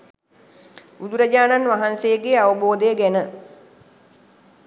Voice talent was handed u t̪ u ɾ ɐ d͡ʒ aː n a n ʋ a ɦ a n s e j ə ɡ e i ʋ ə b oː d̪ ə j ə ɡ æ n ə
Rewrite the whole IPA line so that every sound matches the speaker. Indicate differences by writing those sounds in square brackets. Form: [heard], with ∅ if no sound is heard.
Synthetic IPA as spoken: u [d̪] u ɾ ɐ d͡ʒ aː n a n ʋ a ɦ a n s e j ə ɡ e [a] ʋ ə b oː d̪ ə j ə ɡ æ n ə